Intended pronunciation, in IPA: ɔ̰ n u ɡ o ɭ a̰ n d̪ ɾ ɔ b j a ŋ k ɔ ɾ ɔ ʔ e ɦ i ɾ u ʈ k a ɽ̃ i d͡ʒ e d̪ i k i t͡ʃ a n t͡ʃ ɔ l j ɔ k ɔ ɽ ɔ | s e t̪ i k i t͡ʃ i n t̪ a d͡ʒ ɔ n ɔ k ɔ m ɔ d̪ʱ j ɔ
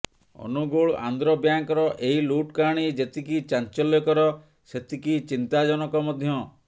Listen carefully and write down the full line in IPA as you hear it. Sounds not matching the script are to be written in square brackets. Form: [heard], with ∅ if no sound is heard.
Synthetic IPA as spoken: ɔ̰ n u ɡ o ɭ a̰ n d̪ ɾ ɔ b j a ŋ k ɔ ɾ ɔ ʔ e ɦ i [l] u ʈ k a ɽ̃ i d͡ʒ e [t̪] i k i t͡ʃ a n t͡ʃ ɔ l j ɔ k ɔ [ɾ] ɔ | s e t̪ i k i t͡ʃ i n t̪ a d͡ʒ ɔ n ɔ k ɔ m ɔ d̪ʱ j ɔ